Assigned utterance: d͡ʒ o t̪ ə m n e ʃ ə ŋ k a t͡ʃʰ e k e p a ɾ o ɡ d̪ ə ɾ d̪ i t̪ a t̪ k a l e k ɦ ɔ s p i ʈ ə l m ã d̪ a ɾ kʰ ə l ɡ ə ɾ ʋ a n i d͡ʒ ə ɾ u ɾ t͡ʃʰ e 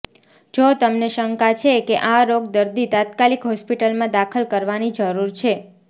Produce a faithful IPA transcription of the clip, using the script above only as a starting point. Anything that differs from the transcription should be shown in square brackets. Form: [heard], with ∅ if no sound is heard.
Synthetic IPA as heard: d͡ʒ o t̪ ə m n e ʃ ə ŋ k a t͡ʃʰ e k e [ʔ] a ɾ o ɡ d̪ ə ɾ d̪ i t̪ a t̪ k a l [i] k ɦ ɔ s p i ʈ ə l m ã d̪ a [∅] kʰ ə l [k] ə ɾ ʋ a n i d͡ʒ ə ɾ u ɾ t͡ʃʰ e

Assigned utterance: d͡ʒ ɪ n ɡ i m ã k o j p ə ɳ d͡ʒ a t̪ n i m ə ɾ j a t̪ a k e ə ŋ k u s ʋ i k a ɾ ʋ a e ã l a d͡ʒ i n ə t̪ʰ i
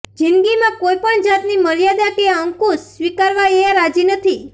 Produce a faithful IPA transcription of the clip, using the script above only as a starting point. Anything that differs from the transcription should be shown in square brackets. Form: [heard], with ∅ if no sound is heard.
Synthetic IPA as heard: d͡ʒ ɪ n ɡ i m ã k o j p ə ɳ d͡ʒ a t̪ n i m ə ɾ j a [d̪] a k e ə ŋ k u s ʋ i k a ɾ ʋ a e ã [ɾ] a d͡ʒ i n ə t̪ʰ i

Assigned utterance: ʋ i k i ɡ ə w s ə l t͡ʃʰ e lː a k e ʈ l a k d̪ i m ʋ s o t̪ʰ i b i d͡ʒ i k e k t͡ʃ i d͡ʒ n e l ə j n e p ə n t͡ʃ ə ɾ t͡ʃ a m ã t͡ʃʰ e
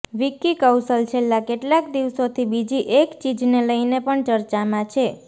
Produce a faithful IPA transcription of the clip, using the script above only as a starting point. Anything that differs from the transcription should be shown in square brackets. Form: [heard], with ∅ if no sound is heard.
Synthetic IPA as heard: ʋ i k i [k] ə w s ə l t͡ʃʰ e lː a k e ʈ l a k d̪ i [∅] ʋ s o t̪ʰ i b i d͡ʒ i [ʔ] e k t͡ʃ i d͡ʒ n e l ə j n e p ə [ɳ] t͡ʃ ə ɾ t͡ʃ a m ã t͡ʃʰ e

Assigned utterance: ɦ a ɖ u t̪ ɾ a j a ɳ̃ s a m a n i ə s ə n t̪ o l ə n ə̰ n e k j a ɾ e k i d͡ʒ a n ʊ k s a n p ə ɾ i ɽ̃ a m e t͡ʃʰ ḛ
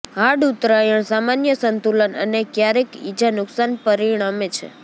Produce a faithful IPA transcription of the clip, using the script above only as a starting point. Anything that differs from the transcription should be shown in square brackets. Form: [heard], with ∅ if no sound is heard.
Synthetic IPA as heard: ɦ a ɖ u t̪ ɾ a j [ə] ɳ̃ s a m a n [j] ə s ə n t̪ [u] l ə n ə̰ n e k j a ɾ e k i d͡ʒ a n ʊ k s a n p ə ɾ i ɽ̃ a m e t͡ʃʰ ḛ

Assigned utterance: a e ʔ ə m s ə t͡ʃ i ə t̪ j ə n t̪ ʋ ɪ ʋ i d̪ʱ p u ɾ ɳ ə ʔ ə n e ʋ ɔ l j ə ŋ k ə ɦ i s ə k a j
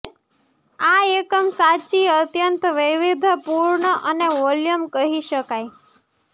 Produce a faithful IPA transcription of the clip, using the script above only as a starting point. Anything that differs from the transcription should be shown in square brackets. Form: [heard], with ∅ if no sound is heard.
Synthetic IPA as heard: a e [k] ə m s [a] t͡ʃ i ə t̪ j ə n t̪ ʋ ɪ ʋ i d̪ʱ p u ɾ ɳ ə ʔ ə n e ʋ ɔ l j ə [m] k ə ɦ i [ʃ] ə k a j

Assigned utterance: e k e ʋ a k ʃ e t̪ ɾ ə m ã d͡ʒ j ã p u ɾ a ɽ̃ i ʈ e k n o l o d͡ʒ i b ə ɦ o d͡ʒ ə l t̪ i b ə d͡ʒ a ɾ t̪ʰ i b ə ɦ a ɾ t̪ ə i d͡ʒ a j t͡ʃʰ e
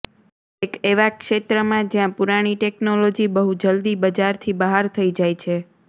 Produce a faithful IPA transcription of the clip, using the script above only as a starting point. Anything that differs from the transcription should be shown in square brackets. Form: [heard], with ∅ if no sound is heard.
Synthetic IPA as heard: e k e ʋ a k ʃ e t̪ ɾ ə m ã d͡ʒ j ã p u ɾ a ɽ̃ i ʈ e k n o l o d͡ʒ i b ə ɦ [u] d͡ʒ ə l [d̪] i b ə d͡ʒ a ɾ t̪ʰ i b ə ɦ a ɾ [t̪ʰ] ə i d͡ʒ a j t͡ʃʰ e

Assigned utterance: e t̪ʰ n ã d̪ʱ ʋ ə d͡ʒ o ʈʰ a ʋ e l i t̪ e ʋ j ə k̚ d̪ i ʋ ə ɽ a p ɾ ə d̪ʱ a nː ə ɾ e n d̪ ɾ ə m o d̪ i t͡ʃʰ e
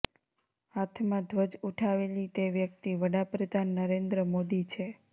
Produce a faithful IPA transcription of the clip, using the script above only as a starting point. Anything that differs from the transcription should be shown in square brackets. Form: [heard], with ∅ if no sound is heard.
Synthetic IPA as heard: [a] t̪ʰ [m] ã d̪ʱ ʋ ə d͡ʒ [u] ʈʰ a ʋ e l i t̪ e ʋ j ə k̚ [t̪] i ʋ ə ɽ a p ɾ ə d̪ʱ a nː ə ɾ e n d̪ ɾ ə m o d̪ i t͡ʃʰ e

